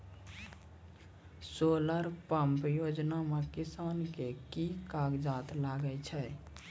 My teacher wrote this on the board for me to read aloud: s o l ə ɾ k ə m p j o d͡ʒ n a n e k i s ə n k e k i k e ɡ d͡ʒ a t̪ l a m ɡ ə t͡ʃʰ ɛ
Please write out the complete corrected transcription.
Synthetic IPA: s o l ə ɾ p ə m p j o d͡ʒ n a m e k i s a n k e k i k a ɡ d͡ʒ a t̪ l a ɡ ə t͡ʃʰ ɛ

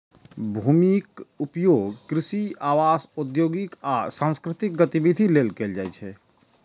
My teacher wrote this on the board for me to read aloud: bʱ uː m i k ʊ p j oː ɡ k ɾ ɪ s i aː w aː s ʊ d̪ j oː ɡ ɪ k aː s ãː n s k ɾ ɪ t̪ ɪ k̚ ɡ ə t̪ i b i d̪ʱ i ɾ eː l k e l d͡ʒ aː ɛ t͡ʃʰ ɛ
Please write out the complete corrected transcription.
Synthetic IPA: bʱ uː m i k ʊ p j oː ɡ k ɾ ɪ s i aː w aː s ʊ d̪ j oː ɡ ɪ k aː s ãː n s k ɾ ɪ t̪ ɪ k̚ ɡ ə t̪ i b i d̪ʱ i l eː l k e l d͡ʒ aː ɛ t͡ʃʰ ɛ

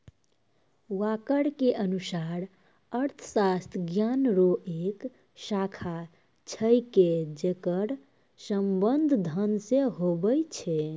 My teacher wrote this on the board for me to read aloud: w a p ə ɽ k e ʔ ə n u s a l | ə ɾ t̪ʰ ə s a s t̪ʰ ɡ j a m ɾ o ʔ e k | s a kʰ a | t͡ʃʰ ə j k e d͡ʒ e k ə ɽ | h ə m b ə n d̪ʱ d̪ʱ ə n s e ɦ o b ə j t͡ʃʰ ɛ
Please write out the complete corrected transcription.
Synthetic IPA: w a k ə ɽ k e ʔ ə n u s a ɾ | ə ɾ t̪ʰ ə s a s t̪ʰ ɡ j a n ɾ o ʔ e k | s a kʰ a | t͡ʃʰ ə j k e d͡ʒ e k ə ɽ | s ə m b ə n d̪ʱ d̪ʱ ə n s e ɦ o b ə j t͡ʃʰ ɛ

